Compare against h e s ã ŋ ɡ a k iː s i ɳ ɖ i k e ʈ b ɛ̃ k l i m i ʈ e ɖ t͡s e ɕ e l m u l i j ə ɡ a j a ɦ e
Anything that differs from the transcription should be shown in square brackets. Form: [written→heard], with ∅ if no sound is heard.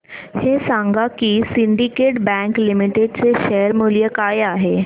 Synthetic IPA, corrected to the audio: h e s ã ŋ ɡ a k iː s i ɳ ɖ i k e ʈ b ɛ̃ k l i m i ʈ e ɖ t͡s e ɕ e [l→ɾ] m u l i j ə [ɡ→k] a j a ɦ e